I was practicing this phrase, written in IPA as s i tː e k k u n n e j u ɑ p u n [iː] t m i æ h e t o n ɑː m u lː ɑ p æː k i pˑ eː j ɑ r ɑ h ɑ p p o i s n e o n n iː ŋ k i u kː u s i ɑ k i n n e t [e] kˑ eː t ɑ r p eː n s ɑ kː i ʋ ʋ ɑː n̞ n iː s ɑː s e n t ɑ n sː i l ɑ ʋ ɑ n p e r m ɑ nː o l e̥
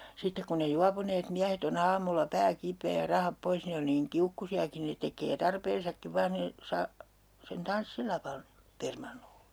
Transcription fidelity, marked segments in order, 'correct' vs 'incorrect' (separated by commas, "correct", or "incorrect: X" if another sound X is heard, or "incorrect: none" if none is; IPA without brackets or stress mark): incorrect: eː, correct